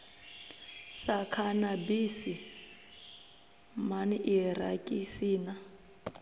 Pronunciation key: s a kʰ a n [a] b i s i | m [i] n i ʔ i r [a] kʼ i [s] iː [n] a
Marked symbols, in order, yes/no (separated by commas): yes, no, yes, yes, yes